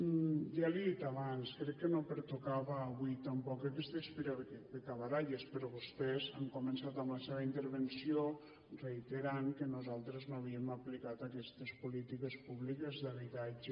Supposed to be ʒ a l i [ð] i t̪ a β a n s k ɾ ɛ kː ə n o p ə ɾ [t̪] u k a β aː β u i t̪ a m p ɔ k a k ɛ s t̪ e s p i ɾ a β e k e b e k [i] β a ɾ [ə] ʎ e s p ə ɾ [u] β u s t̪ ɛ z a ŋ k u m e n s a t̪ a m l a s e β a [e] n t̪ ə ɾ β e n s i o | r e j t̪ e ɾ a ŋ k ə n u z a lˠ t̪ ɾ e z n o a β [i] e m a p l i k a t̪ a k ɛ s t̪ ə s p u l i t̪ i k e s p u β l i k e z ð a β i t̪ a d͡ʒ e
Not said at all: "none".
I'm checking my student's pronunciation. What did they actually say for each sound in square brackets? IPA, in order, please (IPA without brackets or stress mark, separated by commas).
ð, t̪, a, a, ɔ, i, i